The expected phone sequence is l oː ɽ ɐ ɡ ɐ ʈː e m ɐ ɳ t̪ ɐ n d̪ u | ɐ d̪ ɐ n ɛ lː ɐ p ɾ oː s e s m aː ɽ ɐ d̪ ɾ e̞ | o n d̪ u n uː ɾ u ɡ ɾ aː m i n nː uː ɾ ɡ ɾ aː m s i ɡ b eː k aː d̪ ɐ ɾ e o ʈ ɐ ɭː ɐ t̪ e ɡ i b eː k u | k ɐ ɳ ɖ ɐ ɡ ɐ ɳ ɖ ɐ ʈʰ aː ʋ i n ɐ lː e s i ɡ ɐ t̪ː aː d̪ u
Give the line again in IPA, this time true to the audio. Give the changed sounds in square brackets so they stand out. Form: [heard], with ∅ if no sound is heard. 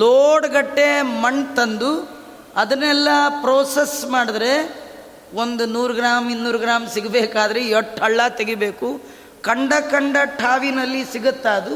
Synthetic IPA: l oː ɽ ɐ ɡ ɐ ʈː e m ɐ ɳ t̪ ɐ n d̪ u | ɐ d̪ ɐ n ɛ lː ɐ p ɾ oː s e s m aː ɽ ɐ d̪ ɾ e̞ | o n d̪ u n uː ɾ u ɡ ɾ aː m i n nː uː ɾ ɡ ɾ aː m s i ɡ b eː k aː d̪ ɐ ɾ e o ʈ ɐ ɭː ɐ t̪ e ɡ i b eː k u | k ɐ ɳ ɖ ɐ [k] ɐ ɳ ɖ ɐ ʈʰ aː ʋ i n ɐ lː [i] s i ɡ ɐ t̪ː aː d̪ u